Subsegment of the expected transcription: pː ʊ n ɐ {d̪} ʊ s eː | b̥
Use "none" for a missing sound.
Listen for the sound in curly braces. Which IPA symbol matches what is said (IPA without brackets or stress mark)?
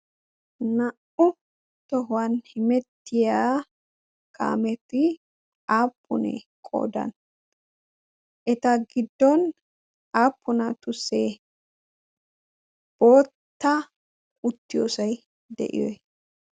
t̪